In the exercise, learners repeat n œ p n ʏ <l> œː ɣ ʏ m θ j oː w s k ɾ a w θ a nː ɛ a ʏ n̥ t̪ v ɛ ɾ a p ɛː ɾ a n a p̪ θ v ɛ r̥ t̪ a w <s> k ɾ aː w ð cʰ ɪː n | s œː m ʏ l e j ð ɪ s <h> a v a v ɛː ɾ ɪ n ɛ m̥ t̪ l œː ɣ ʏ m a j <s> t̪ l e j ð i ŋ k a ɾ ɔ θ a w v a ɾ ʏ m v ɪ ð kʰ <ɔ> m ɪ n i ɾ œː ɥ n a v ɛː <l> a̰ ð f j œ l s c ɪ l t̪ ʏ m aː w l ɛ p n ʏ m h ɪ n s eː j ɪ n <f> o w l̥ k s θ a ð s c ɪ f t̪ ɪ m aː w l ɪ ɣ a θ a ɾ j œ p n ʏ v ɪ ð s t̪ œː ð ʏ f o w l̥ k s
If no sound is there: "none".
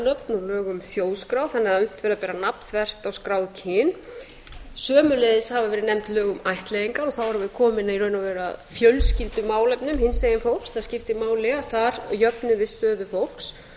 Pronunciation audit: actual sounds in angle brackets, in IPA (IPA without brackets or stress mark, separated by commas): l, s, h, h, ɔː, ɾ, f